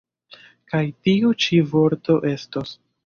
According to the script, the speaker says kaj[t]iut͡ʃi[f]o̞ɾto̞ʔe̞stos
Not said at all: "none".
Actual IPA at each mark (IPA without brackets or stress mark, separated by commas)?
t, v